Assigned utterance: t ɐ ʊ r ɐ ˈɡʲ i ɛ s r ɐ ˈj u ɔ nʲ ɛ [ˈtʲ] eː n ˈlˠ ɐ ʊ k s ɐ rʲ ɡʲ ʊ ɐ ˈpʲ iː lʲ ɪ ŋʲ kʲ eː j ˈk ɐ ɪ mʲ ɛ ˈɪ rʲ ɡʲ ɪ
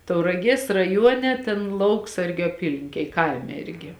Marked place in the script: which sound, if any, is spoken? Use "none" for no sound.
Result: tʲ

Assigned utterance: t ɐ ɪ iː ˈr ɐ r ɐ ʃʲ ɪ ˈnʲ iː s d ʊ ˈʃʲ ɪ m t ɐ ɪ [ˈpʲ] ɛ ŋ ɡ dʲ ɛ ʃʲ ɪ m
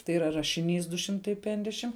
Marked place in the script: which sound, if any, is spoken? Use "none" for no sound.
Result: pʲ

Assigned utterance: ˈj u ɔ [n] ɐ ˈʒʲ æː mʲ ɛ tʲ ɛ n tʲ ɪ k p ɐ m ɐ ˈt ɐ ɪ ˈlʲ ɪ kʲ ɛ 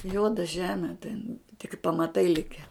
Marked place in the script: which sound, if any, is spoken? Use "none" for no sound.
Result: d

